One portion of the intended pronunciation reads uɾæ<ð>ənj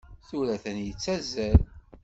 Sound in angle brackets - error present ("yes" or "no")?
yes